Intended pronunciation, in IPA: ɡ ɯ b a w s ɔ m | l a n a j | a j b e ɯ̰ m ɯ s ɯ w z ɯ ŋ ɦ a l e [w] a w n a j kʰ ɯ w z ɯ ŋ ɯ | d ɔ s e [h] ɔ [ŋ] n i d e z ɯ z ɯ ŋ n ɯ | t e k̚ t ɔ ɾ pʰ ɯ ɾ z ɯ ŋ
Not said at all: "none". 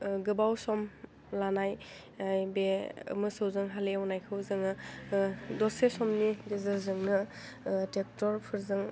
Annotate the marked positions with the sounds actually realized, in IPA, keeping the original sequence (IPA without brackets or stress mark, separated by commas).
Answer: none, s, m